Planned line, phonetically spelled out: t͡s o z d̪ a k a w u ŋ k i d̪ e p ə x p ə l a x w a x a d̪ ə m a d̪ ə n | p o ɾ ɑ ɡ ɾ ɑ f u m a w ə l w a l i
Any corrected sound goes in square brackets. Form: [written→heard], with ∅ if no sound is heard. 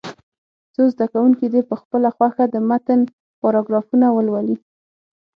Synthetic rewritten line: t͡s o z d̪ a k a w u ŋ k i d̪ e p ə x p ə l a x w a x a d̪ ə m a [d̪→t̪] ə n | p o ɾ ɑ ɡ ɾ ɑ f u [m→n] a w ə l w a l i

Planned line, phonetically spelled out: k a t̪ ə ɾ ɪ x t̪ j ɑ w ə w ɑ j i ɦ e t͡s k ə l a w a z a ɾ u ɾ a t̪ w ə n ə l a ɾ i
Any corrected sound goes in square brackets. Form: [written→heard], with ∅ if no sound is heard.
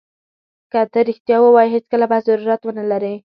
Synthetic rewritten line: k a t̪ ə ɾ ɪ x t̪ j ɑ w ə w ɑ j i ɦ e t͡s k ə l a [w→b] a z a ɾ u ɾ a t̪ w ə n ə l a ɾ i

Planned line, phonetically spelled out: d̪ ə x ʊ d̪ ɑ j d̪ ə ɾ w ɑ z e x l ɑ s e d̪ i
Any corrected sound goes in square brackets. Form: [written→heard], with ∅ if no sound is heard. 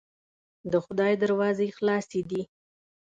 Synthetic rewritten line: d̪ ə x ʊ d̪ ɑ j d̪ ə ɾ w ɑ z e x l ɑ s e d̪ i

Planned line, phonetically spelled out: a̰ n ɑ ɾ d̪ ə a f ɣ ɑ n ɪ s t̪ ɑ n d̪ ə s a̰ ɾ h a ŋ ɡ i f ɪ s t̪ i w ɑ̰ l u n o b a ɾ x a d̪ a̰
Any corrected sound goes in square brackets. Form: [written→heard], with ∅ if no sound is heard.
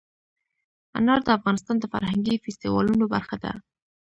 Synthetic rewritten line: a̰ n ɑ ɾ d̪ ə a f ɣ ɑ n ɪ s t̪ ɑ n d̪ ə [s→f] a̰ ɾ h a ŋ ɡ i f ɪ s t̪ i w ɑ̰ l u n o b a ɾ x a d̪ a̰

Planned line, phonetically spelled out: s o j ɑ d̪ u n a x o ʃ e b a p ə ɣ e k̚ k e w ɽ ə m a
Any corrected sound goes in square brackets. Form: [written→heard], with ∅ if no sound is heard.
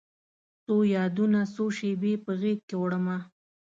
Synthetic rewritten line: s o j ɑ d̪ u n a [x→s] o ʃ e b [a→e] p ə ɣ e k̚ k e w ɽ ə m a

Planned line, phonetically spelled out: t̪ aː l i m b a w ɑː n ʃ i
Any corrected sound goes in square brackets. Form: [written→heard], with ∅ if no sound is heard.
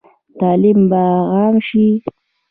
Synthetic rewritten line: t̪ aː l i m b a [w→ɣ] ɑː [n→m] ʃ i

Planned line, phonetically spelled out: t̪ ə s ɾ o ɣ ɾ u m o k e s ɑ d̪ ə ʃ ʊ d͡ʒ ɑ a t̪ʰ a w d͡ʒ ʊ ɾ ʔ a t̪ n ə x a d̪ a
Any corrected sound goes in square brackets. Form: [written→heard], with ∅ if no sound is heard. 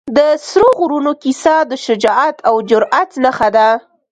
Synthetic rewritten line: [t̪→d̪] ə s ɾ o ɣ ɾ u [m→n] o k [e→i] s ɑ d̪ ə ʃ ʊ d͡ʒ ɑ a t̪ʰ a w d͡ʒ ʊ ɾ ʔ a t̪ n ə x a d̪ a

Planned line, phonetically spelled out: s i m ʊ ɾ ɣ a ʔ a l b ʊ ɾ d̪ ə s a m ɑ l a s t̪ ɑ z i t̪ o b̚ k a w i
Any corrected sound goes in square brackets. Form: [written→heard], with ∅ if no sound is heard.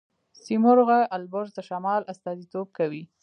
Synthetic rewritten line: s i m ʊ ɾ ɣ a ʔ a l b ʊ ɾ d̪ ə [s→ʃ] a m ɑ l a s t̪ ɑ z i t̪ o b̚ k a w i

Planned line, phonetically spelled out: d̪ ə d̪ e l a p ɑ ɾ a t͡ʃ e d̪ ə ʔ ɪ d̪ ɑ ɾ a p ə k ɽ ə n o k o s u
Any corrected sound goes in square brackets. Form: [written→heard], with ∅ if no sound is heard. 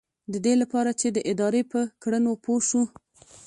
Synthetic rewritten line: d̪ ə d̪ e l a p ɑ ɾ a t͡ʃ e d̪ ə ʔ ɪ d̪ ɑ ɾ [a→e] p ə k ɽ ə n o [k→p] o [s→ʃ] u

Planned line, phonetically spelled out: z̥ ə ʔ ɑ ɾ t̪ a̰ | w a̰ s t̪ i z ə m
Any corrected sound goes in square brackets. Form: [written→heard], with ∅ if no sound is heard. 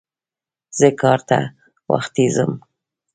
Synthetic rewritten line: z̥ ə [ʔ→k] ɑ ɾ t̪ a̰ | w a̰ [s→x] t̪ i z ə m

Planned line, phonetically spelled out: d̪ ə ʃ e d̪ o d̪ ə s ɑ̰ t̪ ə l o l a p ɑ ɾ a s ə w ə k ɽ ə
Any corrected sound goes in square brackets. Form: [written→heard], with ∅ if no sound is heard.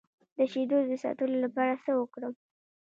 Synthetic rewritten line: d̪ ə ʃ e d̪ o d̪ ə s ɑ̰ t̪ ə l o l a p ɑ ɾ a s ə w ə k ɽ ə

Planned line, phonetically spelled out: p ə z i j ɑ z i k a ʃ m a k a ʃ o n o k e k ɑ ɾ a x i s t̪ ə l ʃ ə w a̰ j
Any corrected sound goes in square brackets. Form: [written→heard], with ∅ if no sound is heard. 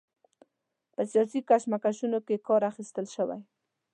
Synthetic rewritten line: p ə [z→s] i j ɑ [z→s] i k a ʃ m a k a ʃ [o→u] n o k e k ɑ ɾ a x i s t̪ ə l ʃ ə w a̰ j

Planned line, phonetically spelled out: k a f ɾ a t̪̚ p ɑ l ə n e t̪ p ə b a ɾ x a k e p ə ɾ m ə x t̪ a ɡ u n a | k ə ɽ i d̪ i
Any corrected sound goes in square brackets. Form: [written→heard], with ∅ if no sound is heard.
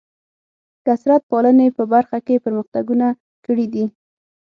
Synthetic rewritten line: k a [f→s] ɾ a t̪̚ p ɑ l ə n e [t̪→∅] p ə b a ɾ x a k e p ə ɾ m ə x t̪ a ɡ u n a | k ə ɽ i d̪ i

